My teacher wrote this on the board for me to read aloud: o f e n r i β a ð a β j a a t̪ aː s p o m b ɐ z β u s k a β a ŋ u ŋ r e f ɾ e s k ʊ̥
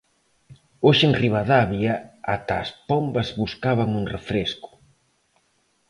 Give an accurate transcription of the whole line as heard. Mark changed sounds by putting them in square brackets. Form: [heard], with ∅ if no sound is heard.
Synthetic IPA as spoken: o [ʃ] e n r i β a ð a β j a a t̪ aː s p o m b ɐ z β u s k a β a ŋ u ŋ r e f ɾ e s k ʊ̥